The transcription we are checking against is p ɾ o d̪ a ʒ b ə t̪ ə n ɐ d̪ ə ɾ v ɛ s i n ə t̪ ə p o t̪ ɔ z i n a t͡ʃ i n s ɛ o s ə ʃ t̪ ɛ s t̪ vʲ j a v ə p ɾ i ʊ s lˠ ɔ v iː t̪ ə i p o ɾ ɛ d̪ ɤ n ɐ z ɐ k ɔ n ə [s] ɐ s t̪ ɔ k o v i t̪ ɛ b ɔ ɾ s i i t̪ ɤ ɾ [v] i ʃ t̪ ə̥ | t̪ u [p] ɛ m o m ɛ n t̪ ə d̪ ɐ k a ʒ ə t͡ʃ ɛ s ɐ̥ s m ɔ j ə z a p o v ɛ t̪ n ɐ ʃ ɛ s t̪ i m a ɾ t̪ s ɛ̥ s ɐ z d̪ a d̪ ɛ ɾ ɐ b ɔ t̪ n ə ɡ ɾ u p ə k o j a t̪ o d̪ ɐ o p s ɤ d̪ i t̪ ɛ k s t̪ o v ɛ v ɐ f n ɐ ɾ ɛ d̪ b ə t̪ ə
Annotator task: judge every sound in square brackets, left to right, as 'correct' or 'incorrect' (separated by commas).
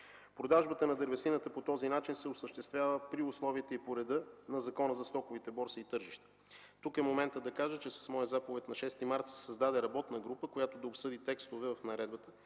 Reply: incorrect, incorrect, incorrect